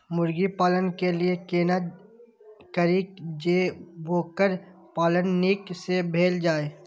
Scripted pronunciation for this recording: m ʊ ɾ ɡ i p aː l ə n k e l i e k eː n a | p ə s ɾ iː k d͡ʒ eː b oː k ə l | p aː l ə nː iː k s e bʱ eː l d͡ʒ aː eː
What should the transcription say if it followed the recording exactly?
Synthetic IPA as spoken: m ʊ ɾ ɡ i p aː l ə n k e l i e k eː n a | k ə ɾ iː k d͡ʒ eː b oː k ə ɾ | p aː l ə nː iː k s e bʱ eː l d͡ʒ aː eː